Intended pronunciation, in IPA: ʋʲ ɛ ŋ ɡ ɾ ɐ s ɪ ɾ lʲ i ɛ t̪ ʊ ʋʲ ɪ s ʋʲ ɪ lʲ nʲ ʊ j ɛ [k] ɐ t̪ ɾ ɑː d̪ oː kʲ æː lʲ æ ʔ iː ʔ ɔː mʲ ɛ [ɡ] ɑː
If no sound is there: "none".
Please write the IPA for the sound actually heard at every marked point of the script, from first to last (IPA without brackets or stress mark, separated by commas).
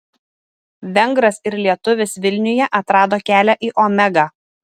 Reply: ʔ, ɡ